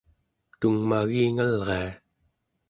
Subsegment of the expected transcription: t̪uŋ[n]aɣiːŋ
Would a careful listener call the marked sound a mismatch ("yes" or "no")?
yes